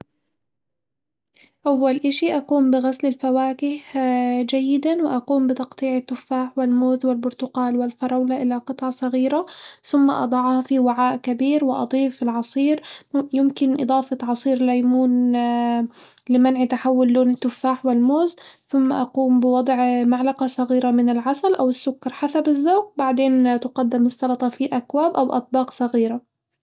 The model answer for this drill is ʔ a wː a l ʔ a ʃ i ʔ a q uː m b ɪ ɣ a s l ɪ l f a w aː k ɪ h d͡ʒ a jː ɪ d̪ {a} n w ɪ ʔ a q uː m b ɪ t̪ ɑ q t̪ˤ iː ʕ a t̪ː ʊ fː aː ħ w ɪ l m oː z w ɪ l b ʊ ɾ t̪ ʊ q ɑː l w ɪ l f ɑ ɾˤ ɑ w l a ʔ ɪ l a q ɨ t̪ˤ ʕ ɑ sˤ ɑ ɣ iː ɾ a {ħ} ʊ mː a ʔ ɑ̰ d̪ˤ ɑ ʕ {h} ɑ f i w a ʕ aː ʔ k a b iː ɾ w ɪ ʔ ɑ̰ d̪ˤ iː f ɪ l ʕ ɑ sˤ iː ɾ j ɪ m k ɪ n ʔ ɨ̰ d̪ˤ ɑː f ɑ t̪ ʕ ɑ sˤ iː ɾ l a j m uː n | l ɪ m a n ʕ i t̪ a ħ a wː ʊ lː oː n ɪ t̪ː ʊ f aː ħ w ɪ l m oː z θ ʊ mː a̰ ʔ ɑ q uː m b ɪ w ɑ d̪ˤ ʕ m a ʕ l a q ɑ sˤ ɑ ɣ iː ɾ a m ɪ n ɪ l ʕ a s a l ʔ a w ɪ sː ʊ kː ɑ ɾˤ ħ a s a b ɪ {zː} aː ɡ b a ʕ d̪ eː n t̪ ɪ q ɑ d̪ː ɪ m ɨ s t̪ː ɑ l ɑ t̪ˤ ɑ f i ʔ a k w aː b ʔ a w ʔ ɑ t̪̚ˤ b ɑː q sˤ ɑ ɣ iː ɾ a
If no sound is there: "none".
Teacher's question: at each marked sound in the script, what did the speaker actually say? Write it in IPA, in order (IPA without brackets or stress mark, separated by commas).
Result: a, θ, h, zː